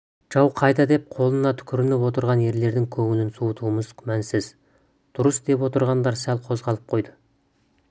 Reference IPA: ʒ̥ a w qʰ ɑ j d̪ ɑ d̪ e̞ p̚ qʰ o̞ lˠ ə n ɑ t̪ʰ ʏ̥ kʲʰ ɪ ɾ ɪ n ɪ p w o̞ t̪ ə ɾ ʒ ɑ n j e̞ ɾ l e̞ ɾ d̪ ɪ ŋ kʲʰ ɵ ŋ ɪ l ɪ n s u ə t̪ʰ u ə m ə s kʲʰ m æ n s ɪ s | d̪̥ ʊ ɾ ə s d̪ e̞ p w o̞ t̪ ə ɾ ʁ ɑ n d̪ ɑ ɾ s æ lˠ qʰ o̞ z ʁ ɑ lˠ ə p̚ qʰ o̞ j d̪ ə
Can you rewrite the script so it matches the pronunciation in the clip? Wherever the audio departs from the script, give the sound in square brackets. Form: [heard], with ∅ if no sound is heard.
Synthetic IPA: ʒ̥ [ɑ] w qʰ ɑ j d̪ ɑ d̪ e̞ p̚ qʰ o̞ lˠ ə n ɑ t̪ʰ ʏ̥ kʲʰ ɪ ɾ ɪ n ɪ p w o̞ t̪ ə ɾ [ʁ] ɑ n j e̞ ɾ l e̞ ɾ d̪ ɪ ŋ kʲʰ ɵ ŋ ɪ l ɪ n s u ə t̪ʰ u ə m ə [z] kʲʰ m æ n s ɪ [z] | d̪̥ ʊ ɾ ə s d̪ e̞ p w o̞ t̪ ə ɾ ʁ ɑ n d̪ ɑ ɾ s æ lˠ qʰ o̞ z ʁ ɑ lˠ ə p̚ qʰ o̞ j d̪ ə